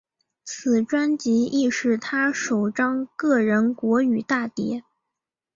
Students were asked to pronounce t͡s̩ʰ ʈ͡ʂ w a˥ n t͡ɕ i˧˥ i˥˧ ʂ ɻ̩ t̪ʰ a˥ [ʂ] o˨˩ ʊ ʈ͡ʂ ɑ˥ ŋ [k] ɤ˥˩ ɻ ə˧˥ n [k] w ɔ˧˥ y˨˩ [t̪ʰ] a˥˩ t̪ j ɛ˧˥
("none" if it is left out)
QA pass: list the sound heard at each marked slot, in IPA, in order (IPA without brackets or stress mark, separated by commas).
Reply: ʂ, k, k, t̪